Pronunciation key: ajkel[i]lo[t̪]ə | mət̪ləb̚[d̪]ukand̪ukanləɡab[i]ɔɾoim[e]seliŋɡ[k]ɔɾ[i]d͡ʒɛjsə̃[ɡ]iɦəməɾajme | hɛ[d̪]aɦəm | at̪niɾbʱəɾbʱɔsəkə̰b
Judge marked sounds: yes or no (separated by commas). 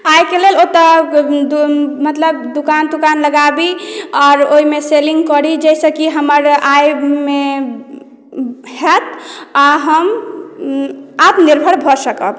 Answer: no, yes, yes, yes, yes, yes, yes, no, no